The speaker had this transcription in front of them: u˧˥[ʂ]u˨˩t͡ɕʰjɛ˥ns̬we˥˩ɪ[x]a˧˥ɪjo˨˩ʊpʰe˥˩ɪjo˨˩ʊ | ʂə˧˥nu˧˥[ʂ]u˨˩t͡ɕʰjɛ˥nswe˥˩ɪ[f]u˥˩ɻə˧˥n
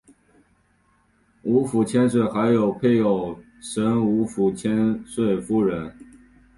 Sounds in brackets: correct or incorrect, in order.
incorrect: f, correct, incorrect: f, correct

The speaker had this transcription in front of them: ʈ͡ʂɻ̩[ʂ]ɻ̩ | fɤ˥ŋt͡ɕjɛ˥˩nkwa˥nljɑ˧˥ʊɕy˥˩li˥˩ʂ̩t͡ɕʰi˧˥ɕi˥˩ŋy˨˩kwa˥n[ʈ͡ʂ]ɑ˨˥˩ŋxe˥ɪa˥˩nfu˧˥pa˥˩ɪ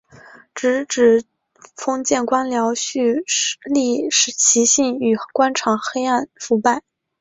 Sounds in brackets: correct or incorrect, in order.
incorrect: ʈ͡ʂ, incorrect: ʈ͡ʂʰ

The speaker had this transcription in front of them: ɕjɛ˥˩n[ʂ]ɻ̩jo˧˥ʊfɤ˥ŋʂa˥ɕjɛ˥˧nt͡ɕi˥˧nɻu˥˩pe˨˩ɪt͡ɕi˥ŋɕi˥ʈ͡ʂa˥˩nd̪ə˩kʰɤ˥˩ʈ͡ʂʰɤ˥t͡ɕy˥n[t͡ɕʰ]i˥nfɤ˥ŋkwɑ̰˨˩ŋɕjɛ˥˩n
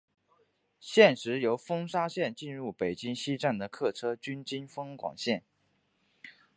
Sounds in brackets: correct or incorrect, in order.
correct, incorrect: t͡ɕ

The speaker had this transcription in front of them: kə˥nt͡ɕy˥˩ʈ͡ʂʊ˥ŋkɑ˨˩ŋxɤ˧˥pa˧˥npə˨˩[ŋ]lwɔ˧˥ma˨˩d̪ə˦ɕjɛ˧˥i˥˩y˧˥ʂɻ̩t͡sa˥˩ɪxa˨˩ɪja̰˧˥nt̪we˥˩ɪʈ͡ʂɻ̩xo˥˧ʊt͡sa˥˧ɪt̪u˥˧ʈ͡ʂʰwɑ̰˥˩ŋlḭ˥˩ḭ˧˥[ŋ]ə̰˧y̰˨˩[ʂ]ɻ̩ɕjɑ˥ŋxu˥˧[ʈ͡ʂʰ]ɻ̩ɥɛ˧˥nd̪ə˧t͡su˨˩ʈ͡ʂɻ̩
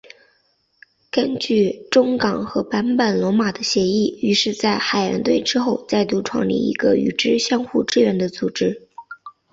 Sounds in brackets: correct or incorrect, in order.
incorrect: n, incorrect: ɡ, incorrect: ʈ͡ʂ, incorrect: ʈ͡ʂ

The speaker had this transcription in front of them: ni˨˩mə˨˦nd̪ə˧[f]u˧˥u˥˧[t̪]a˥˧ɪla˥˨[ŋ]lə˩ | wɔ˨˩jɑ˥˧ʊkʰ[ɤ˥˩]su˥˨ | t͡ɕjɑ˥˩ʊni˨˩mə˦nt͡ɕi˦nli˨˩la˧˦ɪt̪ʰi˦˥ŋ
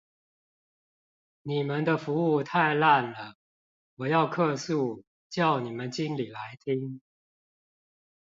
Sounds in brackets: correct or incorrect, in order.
correct, incorrect: t̪ʰ, incorrect: n, incorrect: ɤ˥˧

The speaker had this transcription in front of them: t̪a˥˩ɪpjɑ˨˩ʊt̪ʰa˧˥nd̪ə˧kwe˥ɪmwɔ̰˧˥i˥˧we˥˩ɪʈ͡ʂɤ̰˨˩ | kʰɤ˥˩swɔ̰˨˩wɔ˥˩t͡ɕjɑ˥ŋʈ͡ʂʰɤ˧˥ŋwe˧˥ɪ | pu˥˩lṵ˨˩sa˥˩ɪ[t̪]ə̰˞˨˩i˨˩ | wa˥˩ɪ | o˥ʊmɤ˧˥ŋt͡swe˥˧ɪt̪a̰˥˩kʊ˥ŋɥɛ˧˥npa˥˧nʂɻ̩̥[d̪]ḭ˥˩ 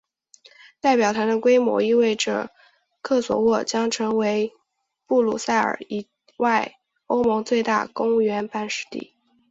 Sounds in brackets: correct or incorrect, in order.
incorrect: none, incorrect: t̪

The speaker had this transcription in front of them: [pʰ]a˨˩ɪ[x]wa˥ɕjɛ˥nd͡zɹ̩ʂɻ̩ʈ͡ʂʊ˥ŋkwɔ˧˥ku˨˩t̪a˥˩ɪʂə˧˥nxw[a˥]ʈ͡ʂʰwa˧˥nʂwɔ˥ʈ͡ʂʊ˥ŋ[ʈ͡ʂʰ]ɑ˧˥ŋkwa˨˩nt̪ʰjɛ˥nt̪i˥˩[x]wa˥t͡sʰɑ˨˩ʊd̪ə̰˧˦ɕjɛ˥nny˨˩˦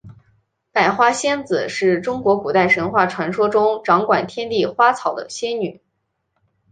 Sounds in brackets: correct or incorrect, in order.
incorrect: p, correct, incorrect: a˥˩, incorrect: ʈ͡ʂ, correct

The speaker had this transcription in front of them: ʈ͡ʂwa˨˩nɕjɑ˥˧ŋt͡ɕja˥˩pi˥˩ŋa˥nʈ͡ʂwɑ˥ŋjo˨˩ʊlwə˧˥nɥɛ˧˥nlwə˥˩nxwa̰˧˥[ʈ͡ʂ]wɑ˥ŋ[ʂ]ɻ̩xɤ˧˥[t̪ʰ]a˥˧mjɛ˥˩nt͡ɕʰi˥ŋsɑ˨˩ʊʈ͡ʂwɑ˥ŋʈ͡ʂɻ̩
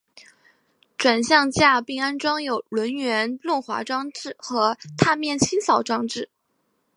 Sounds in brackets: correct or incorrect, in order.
correct, incorrect: ʈ͡ʂ, correct

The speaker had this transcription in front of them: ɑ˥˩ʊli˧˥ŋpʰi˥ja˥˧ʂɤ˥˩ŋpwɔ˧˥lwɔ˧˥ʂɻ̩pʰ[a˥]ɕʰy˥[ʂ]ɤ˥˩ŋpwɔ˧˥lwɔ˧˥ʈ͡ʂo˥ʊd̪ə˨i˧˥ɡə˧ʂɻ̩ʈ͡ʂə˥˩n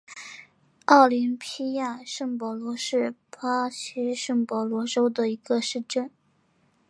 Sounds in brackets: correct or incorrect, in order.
correct, correct

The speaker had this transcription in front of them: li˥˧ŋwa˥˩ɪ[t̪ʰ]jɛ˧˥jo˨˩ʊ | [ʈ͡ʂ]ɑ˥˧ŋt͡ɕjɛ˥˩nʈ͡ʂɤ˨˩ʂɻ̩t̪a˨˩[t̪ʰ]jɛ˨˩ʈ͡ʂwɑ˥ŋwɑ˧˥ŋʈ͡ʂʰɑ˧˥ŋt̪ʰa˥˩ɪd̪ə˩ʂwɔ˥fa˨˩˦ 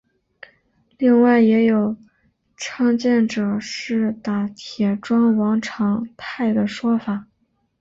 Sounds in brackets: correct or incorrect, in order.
incorrect: none, incorrect: ʈ͡ʂʰ, correct

